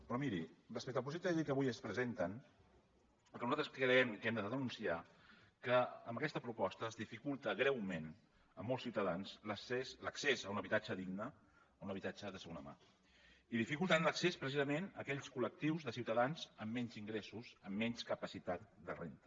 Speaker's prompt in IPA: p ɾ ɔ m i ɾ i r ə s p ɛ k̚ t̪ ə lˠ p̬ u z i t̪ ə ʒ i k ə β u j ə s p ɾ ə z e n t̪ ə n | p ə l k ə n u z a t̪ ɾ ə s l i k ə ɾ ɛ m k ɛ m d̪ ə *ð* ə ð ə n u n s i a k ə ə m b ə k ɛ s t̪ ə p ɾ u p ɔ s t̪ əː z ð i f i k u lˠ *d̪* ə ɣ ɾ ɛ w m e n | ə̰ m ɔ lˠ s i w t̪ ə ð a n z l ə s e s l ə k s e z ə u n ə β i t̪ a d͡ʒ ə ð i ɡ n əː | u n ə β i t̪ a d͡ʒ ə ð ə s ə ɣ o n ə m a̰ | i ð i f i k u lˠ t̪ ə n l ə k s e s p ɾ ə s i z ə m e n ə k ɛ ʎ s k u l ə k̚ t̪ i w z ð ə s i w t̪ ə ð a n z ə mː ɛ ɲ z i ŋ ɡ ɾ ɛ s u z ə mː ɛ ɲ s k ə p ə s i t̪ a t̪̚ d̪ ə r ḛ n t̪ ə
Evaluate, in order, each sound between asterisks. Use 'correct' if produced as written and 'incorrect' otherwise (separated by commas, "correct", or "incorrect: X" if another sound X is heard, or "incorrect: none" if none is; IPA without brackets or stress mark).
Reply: correct, incorrect: t̪